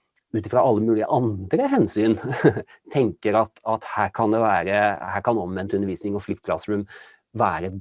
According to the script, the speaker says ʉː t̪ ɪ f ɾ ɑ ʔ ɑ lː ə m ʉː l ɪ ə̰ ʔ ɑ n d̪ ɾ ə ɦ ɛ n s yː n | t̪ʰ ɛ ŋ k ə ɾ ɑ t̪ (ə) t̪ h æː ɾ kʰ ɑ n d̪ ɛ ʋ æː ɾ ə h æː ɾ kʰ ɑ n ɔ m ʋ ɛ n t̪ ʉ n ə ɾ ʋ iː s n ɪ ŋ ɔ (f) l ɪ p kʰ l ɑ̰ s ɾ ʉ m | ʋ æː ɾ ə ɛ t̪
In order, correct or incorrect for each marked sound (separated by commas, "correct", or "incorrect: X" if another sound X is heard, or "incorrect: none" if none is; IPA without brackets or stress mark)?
incorrect: ɑ, correct